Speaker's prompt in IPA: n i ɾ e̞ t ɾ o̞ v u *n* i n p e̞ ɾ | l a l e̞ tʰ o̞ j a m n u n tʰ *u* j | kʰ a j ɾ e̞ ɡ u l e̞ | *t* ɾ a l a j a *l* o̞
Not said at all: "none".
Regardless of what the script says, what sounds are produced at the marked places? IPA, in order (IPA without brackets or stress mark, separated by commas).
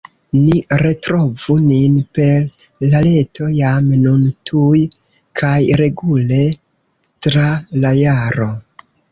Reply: n, u, t, ɾ